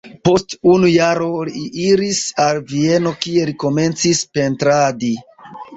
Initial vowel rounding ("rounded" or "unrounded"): rounded